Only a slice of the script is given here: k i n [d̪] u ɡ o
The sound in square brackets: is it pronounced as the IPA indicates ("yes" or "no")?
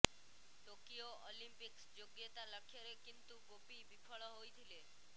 no